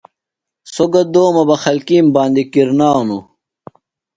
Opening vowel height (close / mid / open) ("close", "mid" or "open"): mid